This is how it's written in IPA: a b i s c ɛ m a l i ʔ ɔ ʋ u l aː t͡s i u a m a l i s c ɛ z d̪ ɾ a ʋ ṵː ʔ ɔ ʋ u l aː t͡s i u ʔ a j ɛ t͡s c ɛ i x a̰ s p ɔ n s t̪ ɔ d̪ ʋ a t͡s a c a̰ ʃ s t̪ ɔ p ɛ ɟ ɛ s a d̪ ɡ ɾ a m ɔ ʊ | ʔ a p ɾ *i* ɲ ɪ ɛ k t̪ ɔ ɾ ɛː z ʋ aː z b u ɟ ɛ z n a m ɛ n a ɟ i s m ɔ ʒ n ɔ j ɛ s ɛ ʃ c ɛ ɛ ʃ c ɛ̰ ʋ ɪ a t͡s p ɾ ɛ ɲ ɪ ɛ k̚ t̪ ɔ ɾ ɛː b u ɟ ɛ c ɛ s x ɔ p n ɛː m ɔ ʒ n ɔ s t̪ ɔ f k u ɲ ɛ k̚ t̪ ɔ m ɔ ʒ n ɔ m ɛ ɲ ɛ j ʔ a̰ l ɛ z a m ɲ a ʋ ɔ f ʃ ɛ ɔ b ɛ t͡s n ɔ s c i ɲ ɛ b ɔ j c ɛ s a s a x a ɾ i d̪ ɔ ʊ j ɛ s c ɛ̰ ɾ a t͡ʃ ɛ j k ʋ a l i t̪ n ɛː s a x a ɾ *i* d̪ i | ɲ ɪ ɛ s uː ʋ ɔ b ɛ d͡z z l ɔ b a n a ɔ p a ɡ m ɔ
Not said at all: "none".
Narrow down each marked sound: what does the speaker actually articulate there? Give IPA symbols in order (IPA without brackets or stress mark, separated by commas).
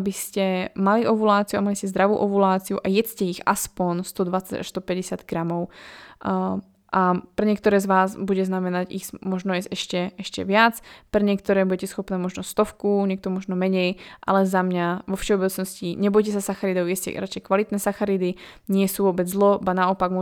ɛ, i